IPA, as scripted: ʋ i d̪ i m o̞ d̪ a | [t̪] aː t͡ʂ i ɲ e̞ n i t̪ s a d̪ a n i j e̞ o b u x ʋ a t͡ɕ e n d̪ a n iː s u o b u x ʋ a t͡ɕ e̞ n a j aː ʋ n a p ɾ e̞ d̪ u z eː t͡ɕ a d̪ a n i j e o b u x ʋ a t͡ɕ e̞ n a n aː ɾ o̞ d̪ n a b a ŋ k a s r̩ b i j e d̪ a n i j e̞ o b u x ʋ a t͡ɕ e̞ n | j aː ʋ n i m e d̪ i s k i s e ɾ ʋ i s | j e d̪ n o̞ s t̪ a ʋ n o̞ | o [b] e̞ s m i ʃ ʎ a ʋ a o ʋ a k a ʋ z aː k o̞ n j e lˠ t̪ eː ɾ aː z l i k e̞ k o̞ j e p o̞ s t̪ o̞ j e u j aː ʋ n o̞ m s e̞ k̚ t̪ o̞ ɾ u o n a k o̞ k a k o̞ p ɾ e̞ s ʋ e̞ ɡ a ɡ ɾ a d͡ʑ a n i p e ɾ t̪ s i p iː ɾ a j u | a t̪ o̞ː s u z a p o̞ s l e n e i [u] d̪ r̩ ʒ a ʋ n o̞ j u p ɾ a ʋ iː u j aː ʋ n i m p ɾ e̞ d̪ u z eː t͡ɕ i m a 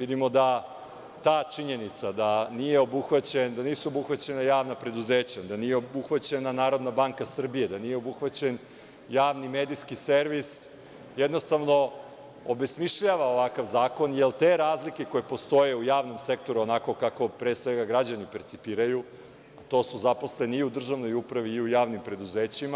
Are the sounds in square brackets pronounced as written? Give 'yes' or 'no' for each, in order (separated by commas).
yes, yes, yes